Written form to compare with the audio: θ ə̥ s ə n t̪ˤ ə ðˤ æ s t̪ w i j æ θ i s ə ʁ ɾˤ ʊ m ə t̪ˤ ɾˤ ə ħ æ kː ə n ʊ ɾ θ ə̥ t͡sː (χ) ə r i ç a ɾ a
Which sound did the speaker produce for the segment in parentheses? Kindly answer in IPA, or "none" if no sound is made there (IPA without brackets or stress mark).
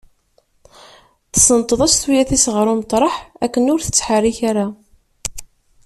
ħ